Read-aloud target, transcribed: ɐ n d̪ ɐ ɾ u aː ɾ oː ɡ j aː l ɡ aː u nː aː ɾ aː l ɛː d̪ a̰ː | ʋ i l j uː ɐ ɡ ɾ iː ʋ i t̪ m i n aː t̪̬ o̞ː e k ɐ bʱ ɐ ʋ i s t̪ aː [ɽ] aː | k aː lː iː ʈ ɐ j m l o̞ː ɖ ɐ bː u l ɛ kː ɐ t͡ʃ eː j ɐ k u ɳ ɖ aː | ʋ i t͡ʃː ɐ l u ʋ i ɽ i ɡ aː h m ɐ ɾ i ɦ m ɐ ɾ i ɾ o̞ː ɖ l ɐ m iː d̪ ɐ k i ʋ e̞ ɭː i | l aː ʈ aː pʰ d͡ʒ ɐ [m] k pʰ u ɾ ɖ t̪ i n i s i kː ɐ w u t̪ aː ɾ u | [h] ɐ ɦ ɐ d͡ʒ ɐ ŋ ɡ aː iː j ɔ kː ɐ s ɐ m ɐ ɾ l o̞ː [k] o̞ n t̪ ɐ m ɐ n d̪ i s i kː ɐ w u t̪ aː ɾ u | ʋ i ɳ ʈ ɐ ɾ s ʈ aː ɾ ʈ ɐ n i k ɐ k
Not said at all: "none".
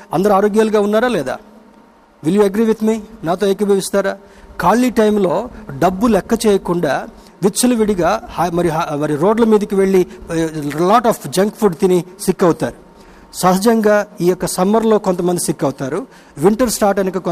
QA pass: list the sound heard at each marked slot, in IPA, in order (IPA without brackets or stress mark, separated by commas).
ɾ, ŋ, s, k